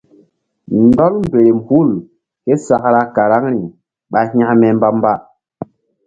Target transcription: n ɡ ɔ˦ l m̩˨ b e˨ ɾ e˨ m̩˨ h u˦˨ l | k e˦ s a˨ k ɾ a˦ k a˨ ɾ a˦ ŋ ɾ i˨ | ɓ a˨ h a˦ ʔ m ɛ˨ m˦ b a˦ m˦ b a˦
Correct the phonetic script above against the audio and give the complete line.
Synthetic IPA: n d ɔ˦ l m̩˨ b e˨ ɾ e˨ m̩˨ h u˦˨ l | k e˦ s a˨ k ɾ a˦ k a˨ ɾ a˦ ŋ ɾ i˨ | ɓ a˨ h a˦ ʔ m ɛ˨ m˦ b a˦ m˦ b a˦